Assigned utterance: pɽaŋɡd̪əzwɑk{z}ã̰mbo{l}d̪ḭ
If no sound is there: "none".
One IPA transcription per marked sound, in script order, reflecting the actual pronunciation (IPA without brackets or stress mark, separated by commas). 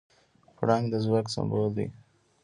s, l